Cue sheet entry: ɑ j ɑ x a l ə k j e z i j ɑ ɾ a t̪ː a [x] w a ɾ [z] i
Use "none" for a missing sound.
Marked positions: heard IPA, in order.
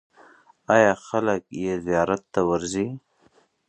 none, z

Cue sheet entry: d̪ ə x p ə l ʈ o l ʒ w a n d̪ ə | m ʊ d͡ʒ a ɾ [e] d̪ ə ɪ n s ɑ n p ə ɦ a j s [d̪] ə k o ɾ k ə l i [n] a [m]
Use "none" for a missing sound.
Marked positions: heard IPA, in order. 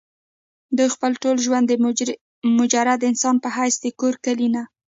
a, d̪, n, none

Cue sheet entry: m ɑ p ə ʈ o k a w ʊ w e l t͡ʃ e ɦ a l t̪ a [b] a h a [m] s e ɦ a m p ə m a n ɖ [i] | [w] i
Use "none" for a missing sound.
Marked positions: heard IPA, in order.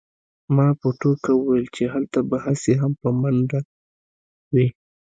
b, none, a, w

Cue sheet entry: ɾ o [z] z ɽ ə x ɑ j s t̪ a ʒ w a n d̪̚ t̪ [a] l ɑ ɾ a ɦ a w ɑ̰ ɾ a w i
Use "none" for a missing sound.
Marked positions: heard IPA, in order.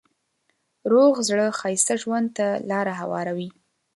ɣ, a

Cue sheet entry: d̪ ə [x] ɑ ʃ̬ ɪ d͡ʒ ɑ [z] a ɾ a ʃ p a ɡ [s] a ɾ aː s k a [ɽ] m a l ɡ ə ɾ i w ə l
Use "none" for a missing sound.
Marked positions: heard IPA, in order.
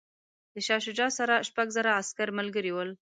ʃ, s, z, ɾ

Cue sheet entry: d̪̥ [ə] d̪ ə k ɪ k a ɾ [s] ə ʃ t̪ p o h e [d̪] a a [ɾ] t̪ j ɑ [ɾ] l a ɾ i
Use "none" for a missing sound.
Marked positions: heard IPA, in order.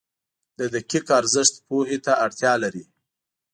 ə, z, t̪, ɽ, none

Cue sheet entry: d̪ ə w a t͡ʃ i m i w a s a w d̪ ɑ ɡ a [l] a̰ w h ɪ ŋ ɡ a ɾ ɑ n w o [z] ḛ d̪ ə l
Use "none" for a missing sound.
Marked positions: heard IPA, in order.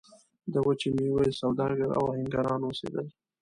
ɾ, s

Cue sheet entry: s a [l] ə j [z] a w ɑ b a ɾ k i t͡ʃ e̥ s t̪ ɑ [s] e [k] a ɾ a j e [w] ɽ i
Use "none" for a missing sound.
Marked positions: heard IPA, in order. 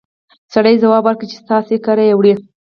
ɽ, z, s, k, w

